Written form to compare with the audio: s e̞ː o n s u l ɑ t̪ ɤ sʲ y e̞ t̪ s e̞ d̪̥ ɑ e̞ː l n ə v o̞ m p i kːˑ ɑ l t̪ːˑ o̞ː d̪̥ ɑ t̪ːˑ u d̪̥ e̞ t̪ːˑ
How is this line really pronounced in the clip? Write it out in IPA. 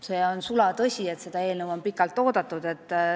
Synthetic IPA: s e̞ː o n s u l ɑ t̪ ɤ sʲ i e̞ t̪ s e̞ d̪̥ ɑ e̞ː l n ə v o̞ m p i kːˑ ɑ l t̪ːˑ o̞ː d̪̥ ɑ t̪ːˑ u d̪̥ e̞ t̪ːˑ